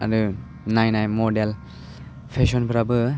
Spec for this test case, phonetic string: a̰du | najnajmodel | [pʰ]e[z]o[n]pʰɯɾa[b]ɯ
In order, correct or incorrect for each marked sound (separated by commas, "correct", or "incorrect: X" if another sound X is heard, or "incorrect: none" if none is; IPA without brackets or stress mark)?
correct, incorrect: s, correct, correct